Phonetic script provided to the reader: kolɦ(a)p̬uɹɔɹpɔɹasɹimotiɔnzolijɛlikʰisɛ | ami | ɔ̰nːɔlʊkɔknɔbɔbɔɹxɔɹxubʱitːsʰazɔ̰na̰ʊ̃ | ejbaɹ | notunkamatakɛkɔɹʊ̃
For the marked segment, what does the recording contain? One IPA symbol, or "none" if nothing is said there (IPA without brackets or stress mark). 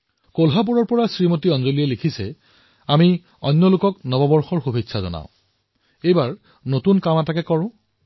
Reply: a